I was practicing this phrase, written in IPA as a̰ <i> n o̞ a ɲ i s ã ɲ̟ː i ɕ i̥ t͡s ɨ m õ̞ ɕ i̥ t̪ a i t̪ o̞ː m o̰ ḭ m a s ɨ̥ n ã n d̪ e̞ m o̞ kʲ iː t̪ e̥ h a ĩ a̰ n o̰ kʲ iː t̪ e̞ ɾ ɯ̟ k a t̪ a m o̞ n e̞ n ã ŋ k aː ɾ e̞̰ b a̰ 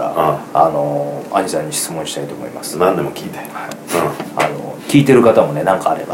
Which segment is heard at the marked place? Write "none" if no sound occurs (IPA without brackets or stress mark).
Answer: a